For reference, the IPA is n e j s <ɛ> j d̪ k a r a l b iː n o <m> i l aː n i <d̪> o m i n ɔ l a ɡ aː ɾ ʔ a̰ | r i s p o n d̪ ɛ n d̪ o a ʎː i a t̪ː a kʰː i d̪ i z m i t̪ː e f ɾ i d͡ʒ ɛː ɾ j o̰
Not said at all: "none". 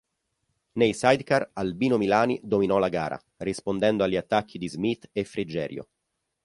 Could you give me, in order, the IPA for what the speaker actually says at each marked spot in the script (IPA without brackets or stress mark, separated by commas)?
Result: a, m, d̪